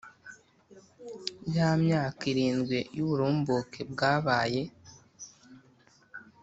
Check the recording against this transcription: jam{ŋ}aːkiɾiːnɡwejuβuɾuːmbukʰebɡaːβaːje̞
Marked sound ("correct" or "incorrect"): incorrect